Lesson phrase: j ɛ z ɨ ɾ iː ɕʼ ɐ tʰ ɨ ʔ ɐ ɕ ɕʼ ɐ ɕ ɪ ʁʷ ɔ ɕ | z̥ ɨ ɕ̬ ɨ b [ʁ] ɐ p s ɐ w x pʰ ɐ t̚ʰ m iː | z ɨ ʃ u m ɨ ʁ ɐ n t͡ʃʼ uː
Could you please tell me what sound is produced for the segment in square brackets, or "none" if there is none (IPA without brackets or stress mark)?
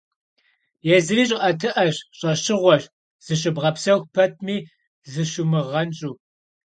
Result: ʁ